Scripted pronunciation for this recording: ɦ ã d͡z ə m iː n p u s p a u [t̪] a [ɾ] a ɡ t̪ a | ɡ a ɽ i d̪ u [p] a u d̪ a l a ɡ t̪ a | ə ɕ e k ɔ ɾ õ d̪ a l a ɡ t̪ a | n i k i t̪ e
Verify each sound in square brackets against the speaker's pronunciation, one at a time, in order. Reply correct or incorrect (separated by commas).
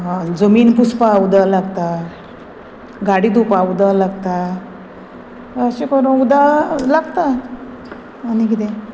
incorrect, incorrect, correct